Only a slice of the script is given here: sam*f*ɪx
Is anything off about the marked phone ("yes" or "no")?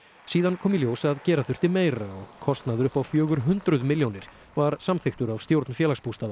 yes